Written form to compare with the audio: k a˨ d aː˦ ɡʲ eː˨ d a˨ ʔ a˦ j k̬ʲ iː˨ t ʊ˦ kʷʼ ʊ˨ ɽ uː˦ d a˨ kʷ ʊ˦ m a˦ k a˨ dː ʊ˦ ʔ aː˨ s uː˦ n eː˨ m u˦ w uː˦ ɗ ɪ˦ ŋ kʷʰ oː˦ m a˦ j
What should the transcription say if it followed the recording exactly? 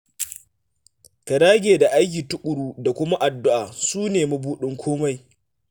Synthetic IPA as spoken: k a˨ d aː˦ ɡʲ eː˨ d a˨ ʔ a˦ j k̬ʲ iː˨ t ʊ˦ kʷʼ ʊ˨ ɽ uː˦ d a˨ kʷ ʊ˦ m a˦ ʔ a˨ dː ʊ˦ ʔ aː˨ s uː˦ n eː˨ m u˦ b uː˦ ɗ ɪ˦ ŋ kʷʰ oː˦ m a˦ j